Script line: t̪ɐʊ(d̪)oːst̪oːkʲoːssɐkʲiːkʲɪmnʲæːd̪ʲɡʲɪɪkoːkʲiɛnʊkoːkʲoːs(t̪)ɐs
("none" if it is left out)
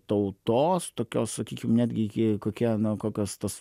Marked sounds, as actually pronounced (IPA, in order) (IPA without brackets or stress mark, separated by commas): t̪, t̪